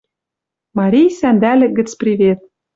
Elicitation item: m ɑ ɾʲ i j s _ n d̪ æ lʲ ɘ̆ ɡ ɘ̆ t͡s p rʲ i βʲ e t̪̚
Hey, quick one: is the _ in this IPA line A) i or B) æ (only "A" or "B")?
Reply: B